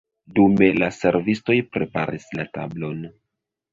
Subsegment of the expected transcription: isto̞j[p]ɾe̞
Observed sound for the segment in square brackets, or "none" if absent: p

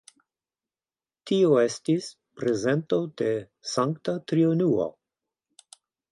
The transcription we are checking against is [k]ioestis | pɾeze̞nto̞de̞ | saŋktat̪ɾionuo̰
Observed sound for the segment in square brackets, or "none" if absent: t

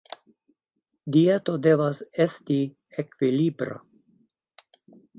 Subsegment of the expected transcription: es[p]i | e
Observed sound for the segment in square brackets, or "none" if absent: t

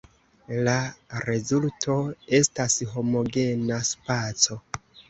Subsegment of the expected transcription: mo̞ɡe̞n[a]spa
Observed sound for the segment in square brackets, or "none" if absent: a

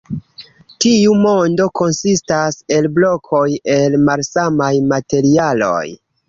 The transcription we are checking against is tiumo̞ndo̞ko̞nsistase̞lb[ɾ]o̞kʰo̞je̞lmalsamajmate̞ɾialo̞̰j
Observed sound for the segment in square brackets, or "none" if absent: l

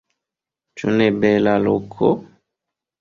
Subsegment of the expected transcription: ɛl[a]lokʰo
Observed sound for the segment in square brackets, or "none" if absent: a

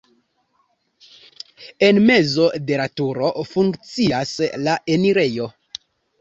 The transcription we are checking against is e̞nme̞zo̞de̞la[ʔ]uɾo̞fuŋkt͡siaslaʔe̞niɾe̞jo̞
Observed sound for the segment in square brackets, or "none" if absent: t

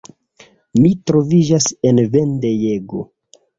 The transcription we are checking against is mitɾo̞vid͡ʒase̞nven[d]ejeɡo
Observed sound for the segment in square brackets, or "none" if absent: d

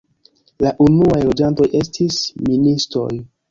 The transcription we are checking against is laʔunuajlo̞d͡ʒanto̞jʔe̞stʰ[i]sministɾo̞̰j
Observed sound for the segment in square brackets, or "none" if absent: i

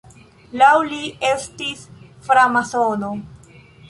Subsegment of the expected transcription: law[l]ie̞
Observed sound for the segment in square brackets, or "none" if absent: l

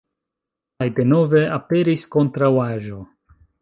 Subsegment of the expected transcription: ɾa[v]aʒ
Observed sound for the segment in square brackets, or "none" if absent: w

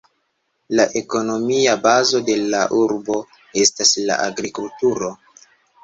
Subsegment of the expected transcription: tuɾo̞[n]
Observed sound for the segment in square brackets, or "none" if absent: none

